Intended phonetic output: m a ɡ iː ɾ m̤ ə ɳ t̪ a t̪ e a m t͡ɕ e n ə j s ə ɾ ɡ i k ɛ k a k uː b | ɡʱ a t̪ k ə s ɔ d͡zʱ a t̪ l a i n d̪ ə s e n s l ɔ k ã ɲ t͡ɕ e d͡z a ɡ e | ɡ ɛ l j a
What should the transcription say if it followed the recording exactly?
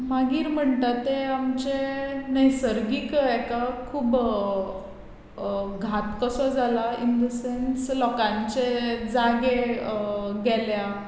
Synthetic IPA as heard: m a ɡ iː ɾ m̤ ə ɳ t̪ a t̪ e a m t͡ɕ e n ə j s ə ɾ ɡ i k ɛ k a kʰ uː b | ɡʱ a t̪ k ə s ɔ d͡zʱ a l a i n d̪ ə s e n s l ɔ k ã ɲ t͡ɕ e d͡z a ɡ e | ɡ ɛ l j a